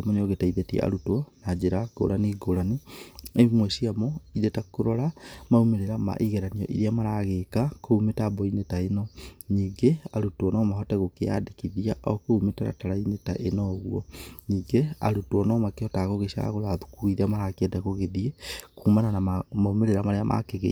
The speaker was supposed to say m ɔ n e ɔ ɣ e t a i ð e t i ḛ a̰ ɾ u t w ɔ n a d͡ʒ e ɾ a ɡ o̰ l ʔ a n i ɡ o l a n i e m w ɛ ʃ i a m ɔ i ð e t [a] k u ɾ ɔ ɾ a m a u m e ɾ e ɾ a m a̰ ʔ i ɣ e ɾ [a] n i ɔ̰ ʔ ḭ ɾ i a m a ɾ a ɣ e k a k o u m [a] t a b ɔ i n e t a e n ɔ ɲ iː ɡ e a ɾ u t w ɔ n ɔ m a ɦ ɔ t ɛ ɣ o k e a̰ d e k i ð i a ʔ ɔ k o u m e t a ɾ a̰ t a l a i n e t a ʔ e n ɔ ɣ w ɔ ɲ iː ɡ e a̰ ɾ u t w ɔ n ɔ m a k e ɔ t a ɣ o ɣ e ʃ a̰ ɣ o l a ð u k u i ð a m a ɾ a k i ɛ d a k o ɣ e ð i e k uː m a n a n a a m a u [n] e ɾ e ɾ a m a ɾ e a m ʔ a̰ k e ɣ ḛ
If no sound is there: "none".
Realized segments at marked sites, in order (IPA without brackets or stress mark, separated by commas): a, a, e, m